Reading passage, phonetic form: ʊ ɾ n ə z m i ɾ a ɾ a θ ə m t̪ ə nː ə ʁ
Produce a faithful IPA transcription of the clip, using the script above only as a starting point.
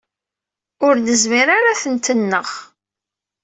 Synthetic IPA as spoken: ʊ ɾ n ə z m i ɾ a ɾ a θ ə n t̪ ə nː ə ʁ